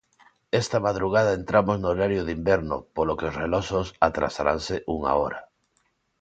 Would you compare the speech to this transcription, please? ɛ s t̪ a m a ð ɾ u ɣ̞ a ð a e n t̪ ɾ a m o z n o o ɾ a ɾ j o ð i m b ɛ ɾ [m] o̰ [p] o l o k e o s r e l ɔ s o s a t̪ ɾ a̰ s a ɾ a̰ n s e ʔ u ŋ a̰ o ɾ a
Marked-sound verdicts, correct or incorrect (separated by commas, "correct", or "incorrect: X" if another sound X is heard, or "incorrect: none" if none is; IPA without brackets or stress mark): incorrect: n, correct